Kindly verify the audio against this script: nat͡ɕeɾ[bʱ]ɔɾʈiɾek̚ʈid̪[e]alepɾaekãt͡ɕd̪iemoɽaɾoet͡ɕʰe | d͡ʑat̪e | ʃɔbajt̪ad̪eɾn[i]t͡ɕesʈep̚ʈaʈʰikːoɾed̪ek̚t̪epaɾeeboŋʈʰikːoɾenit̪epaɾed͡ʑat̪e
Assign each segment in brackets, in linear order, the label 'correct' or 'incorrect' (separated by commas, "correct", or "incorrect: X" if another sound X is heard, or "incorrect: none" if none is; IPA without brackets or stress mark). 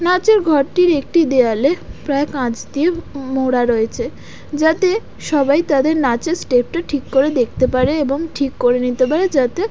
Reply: incorrect: ɡʱ, correct, incorrect: a